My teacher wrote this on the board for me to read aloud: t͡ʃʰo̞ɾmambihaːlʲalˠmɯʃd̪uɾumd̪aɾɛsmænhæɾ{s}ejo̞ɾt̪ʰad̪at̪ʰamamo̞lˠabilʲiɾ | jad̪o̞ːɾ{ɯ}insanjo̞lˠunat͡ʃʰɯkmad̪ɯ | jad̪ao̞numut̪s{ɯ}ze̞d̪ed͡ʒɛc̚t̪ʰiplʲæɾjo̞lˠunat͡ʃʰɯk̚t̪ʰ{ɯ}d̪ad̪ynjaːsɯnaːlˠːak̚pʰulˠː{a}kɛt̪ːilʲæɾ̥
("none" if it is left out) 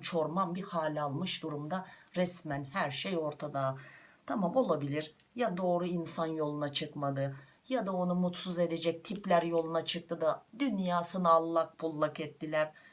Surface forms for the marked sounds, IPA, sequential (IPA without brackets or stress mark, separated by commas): ʃ, u, u, ɯ, a